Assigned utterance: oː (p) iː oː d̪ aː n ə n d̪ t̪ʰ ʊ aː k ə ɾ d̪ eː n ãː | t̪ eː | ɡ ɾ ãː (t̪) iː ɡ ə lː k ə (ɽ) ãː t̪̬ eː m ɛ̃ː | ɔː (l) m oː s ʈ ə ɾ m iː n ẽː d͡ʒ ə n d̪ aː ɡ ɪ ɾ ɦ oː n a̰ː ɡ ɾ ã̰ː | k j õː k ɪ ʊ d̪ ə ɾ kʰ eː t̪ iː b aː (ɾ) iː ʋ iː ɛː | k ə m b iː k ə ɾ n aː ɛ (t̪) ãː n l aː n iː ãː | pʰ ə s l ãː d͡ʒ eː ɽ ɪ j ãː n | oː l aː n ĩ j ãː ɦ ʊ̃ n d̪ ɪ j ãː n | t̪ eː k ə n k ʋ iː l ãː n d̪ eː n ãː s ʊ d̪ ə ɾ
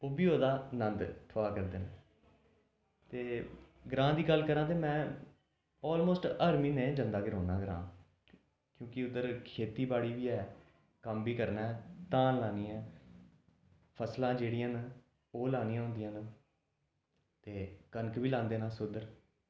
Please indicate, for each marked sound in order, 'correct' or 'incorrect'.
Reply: incorrect: b, incorrect: d̪, incorrect: ɾ, correct, incorrect: ɽ, correct

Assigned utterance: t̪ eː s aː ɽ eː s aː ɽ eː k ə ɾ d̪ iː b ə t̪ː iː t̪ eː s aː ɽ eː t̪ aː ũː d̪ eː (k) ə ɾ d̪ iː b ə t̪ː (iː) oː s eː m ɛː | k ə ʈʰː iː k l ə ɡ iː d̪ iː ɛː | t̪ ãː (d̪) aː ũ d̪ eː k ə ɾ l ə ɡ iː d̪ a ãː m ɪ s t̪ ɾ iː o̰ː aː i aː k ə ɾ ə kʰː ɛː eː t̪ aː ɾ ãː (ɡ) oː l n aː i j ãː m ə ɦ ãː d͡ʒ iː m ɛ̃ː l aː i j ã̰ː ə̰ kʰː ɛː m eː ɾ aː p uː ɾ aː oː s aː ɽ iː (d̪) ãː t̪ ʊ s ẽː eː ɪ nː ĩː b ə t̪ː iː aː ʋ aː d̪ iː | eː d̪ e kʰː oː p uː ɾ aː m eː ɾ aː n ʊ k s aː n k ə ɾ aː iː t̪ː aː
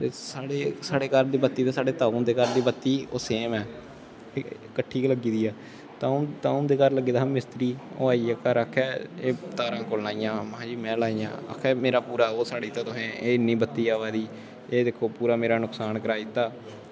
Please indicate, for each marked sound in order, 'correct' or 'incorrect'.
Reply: correct, correct, incorrect: t̪, incorrect: k, incorrect: t̪

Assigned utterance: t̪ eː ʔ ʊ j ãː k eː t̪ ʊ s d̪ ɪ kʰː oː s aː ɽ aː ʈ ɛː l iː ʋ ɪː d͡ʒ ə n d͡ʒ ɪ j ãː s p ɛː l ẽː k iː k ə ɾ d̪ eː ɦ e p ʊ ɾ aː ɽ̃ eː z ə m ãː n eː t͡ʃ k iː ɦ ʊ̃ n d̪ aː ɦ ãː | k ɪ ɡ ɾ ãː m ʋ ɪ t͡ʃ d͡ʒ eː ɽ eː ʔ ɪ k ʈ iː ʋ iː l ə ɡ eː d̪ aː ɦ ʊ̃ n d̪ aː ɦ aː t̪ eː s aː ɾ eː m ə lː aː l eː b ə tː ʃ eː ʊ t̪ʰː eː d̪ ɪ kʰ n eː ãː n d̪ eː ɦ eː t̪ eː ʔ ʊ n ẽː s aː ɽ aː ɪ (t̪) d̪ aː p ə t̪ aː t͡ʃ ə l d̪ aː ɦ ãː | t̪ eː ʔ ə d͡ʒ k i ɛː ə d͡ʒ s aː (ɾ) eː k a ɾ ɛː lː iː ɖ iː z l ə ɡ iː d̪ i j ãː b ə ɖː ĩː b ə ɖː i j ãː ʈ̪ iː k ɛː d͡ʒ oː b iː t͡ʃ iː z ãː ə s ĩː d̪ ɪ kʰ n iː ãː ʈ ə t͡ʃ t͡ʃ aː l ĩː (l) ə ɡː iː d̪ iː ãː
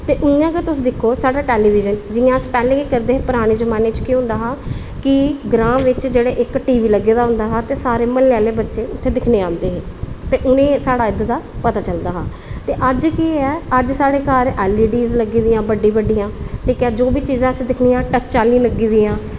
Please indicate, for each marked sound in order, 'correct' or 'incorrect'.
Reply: incorrect: d̪, incorrect: ɽ, correct

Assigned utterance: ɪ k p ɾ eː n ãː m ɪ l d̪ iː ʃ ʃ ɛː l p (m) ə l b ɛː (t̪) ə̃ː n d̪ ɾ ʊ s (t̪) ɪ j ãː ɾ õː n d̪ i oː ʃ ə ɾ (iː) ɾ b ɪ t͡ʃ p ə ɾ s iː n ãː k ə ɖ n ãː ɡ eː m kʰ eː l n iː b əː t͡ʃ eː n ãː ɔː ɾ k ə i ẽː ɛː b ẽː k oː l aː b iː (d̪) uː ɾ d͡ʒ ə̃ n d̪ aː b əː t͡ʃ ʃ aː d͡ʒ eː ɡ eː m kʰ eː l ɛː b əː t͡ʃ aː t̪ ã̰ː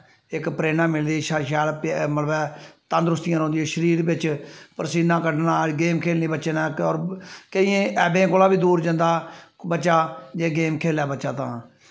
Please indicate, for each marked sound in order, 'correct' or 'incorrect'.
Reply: correct, correct, correct, correct, correct

